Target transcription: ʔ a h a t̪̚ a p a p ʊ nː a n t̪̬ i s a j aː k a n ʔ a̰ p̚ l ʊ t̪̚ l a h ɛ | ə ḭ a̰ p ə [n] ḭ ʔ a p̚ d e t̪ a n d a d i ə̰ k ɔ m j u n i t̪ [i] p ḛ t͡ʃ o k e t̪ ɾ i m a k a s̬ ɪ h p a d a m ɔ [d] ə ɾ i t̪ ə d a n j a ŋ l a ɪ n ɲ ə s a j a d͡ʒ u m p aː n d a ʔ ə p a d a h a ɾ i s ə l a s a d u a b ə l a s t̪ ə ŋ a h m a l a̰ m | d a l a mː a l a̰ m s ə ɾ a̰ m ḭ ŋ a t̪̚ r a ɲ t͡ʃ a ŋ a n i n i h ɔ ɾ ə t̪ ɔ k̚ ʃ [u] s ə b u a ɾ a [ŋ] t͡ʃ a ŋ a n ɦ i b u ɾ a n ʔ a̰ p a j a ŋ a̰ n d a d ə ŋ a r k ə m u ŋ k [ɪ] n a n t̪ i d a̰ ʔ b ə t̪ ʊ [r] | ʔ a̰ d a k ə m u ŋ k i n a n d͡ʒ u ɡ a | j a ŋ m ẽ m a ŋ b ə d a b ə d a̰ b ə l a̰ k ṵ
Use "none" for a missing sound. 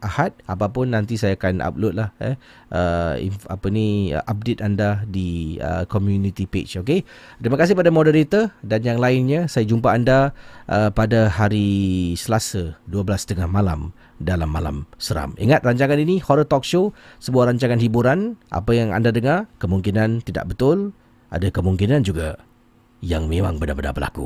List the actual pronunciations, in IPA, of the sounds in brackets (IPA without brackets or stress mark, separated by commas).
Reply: n, i, d, o, ɲ, i, l